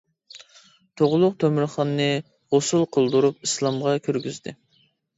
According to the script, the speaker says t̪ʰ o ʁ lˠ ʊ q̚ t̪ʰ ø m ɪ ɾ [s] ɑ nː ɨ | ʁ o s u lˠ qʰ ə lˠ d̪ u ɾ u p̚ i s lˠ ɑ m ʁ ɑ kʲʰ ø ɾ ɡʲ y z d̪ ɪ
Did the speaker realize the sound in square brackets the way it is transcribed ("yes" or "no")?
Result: no